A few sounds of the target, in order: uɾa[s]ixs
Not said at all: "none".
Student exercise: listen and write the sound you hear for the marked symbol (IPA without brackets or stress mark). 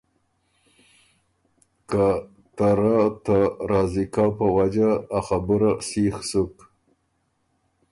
s